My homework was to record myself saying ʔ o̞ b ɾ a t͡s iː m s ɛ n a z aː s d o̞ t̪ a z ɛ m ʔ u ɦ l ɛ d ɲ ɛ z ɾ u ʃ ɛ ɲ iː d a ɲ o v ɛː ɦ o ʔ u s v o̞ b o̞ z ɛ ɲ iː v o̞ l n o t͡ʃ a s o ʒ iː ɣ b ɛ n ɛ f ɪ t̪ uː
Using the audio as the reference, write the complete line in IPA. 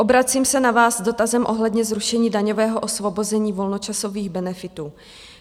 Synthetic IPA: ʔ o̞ b ɾ a t͡s iː m s ɛ n a v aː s d o̞ t̪ a z ɛ m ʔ o ɦ l ɛ d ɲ ɛ z ɾ u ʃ ɛ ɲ iː d a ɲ o v ɛː ɦ o ʔ o s v o̞ b o̞ z ɛ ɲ iː v o̞ l n o t͡ʃ a s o v iː ɣ b ɛ n ɛ f ɪ t̪ uː